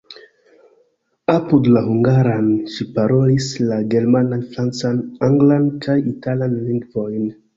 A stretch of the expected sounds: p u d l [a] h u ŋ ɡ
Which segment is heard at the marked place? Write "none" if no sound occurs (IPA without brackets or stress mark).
a